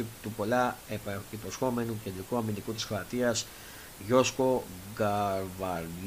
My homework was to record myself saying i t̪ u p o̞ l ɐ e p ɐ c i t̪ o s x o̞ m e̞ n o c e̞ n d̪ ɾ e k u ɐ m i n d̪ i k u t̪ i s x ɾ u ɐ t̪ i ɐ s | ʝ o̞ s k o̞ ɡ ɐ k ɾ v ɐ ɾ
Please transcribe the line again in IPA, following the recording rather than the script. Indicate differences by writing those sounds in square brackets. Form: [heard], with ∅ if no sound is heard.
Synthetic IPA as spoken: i t̪ u p o̞ l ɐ e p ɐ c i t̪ o s x o̞ m e̞ n [u] c e̞ n d̪ ɾ [i] k u ɐ m i n d̪ i k u t̪ i s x ɾ [o] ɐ t̪ i ɐ s | ʝ o̞ s k o̞ ɡ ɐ [∅] ɾ v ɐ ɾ